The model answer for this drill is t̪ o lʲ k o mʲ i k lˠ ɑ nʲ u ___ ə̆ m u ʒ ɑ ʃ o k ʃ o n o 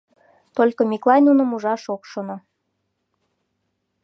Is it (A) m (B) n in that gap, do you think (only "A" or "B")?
B